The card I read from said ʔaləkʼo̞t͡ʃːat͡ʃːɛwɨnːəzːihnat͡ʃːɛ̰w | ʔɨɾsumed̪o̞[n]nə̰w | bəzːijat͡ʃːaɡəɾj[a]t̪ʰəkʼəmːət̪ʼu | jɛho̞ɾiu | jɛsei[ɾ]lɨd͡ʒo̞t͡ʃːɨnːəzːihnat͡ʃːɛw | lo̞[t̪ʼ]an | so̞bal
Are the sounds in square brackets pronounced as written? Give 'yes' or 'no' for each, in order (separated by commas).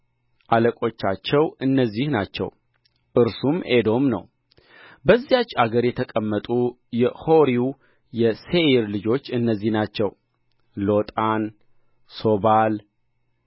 no, no, yes, yes